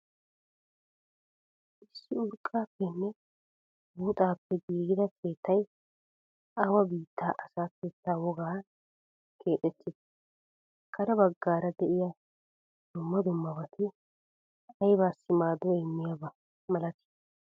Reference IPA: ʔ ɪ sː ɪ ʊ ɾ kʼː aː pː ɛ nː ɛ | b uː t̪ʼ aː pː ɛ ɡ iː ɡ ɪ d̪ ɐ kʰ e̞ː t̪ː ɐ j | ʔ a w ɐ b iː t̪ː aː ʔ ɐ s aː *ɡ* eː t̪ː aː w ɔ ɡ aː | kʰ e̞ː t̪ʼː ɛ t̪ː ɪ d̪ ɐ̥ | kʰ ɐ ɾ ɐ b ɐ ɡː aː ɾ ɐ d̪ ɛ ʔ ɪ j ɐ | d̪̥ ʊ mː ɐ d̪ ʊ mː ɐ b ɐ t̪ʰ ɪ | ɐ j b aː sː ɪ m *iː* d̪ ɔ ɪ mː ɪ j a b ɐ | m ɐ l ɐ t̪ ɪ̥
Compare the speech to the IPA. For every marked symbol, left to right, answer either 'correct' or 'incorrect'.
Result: incorrect: k, incorrect: aː

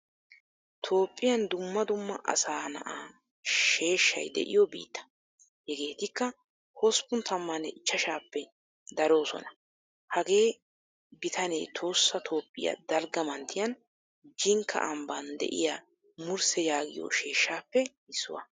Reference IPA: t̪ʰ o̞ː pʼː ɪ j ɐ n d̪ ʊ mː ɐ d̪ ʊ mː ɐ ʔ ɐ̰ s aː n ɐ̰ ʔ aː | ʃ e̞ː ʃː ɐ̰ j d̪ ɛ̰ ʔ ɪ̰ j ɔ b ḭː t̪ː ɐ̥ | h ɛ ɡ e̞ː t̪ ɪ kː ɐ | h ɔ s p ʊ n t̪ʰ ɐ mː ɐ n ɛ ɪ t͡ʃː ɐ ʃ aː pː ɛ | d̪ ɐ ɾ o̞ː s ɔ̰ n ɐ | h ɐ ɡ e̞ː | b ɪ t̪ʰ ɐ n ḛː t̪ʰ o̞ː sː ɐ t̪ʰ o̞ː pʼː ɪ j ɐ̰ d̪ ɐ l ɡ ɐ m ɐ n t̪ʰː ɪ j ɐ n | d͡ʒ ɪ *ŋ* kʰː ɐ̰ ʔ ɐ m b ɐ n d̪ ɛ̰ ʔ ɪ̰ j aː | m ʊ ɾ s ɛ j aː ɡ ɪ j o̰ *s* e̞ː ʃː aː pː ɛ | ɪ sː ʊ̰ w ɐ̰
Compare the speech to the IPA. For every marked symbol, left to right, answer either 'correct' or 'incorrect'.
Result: correct, incorrect: ʃ

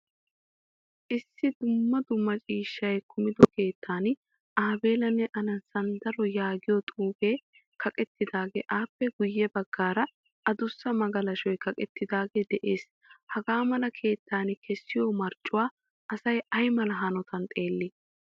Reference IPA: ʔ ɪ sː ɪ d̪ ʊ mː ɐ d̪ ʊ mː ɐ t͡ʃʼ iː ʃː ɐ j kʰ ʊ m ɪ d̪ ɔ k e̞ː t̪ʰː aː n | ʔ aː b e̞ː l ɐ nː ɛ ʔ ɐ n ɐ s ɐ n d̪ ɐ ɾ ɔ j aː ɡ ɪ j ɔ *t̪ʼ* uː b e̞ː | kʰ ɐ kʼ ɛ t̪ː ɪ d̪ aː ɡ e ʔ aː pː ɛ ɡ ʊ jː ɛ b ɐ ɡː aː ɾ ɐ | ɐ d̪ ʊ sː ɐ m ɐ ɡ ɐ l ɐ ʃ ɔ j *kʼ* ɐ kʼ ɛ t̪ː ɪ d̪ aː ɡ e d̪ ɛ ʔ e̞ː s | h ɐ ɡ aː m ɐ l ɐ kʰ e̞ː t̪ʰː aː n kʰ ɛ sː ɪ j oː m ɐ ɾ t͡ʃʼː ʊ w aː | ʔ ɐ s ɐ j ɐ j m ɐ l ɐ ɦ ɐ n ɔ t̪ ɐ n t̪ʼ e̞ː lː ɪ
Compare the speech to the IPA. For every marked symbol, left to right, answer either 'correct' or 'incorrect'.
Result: correct, incorrect: k

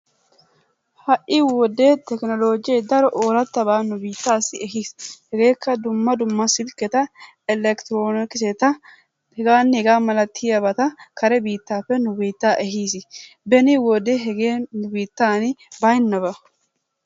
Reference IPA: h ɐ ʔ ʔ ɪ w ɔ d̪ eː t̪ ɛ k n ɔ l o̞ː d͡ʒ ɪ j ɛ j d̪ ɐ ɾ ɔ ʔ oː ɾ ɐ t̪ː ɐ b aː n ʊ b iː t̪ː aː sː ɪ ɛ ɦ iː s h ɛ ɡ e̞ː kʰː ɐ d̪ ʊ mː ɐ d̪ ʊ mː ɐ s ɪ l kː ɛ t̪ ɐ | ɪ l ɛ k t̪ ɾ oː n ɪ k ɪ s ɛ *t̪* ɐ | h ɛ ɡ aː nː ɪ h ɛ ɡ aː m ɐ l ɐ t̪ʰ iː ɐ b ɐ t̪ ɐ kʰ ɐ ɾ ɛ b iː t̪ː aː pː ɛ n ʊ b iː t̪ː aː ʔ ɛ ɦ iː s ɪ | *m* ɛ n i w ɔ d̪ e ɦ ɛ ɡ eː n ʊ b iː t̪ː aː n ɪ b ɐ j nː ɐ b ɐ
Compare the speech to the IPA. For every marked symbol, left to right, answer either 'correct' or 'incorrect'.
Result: correct, incorrect: b

